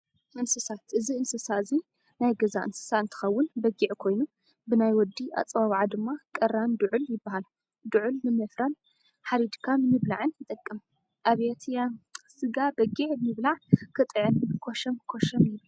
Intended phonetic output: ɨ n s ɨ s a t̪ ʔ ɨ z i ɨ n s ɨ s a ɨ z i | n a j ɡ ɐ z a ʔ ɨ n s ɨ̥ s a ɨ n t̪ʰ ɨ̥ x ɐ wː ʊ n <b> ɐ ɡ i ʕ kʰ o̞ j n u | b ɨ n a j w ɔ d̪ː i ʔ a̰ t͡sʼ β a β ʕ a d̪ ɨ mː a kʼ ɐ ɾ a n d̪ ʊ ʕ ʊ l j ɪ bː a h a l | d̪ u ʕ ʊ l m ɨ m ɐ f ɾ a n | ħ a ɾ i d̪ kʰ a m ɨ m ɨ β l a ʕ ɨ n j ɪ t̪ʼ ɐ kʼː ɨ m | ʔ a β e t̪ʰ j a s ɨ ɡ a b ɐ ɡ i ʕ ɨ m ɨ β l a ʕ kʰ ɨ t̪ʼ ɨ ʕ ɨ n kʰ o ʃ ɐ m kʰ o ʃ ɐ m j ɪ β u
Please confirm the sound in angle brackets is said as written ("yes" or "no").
yes